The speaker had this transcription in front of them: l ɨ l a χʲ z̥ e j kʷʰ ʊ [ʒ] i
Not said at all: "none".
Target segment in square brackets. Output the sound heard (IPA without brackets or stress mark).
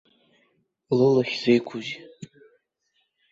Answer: z